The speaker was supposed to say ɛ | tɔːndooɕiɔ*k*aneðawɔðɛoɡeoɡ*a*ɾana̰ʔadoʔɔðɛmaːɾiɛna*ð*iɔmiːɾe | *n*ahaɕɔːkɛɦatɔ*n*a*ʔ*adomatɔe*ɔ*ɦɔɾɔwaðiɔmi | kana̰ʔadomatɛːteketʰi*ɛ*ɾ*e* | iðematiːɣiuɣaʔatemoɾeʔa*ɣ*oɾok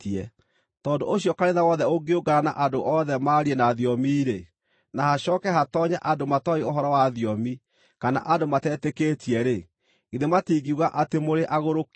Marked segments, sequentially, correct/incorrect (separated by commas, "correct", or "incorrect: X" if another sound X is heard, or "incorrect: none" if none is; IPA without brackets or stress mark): correct, correct, correct, correct, incorrect: ɲ, correct, incorrect: o, correct, correct, correct